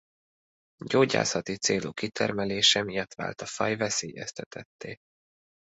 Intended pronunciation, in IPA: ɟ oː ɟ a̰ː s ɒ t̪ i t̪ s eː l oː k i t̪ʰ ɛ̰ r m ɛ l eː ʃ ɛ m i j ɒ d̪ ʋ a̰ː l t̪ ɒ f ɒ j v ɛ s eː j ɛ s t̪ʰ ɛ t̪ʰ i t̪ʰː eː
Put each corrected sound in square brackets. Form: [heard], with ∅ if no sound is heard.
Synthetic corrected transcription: ɟ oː ɟ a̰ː s ɒ t̪ i t̪ s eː l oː k i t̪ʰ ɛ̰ r m ɛ l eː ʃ ɛ m i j ɒ [t̪] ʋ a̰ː l t̪ ɒ f ɒ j v ɛ s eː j ɛ s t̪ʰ ɛ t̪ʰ [ɛ] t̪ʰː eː